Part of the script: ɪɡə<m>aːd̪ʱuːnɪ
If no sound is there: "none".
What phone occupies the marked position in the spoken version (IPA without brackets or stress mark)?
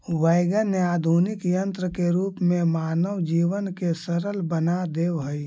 n